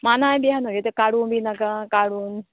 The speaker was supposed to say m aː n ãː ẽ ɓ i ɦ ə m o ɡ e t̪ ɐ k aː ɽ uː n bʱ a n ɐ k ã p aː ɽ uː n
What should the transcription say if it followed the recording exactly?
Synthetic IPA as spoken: m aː n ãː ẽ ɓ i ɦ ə n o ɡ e t̪ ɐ k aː ɽ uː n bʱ i n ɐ k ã k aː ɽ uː n